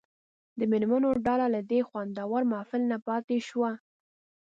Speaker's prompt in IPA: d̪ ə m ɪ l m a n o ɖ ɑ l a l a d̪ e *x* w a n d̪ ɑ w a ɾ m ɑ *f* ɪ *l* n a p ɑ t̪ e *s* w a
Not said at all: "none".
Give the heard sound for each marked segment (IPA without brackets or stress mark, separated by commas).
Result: x, f, l, ʃ